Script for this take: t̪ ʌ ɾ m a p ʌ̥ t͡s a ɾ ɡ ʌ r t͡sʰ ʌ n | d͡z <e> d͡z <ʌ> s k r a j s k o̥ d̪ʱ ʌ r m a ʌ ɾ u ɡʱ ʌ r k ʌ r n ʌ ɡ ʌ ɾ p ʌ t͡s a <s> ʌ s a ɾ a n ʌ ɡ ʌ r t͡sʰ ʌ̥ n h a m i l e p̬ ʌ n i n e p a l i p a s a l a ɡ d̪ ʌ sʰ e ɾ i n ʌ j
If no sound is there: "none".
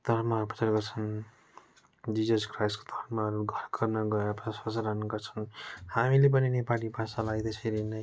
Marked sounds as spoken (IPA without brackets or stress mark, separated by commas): i, ʌ, s